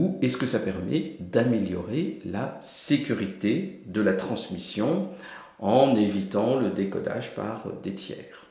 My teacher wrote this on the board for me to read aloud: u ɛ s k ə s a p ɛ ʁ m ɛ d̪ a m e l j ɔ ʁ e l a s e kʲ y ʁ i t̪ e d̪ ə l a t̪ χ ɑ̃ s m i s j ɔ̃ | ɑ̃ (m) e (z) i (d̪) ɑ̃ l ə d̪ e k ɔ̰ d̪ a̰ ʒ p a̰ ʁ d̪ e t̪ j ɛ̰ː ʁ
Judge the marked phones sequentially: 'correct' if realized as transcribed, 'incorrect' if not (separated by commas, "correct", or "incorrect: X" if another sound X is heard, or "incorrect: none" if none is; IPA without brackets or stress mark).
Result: incorrect: n, incorrect: v, incorrect: t̪